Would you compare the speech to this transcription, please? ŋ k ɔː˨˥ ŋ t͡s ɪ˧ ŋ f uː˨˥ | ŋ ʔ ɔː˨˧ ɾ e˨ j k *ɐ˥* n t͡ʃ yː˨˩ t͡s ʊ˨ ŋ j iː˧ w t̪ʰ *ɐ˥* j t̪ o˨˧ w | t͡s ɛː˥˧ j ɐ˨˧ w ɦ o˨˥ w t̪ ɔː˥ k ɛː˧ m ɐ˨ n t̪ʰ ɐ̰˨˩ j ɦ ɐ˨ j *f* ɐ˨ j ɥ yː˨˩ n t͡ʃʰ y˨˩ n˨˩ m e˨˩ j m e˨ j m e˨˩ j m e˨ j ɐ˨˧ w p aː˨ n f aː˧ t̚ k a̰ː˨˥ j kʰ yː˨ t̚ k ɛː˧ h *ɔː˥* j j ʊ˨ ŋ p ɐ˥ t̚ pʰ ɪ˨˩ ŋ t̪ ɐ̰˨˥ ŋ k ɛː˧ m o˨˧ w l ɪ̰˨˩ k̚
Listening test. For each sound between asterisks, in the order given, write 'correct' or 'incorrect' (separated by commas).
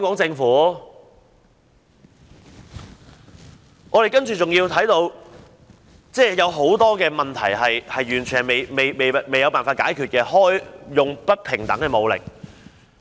correct, incorrect, incorrect, correct